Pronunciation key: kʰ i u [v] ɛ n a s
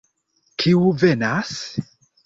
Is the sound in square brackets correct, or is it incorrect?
correct